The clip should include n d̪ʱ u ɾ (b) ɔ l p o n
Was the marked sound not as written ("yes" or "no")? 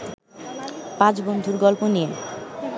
yes